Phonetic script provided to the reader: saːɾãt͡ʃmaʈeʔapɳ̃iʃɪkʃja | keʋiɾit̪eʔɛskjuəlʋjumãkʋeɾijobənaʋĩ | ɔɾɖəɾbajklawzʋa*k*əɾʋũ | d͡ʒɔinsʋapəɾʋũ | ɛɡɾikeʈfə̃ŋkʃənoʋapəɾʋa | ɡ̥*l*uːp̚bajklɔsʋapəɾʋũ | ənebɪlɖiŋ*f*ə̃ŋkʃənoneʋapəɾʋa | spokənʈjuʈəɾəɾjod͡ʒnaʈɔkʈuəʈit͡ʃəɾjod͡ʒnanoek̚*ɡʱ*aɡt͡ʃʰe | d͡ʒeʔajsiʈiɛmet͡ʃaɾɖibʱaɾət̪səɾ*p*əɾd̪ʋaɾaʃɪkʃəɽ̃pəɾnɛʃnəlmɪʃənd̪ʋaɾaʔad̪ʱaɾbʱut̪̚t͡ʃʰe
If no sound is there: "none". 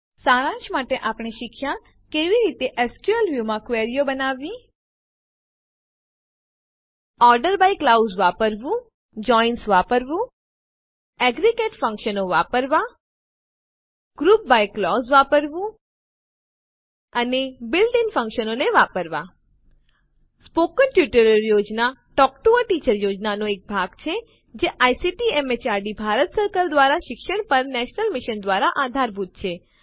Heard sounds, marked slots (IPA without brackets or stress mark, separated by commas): p, ɾ, f, bʱ, k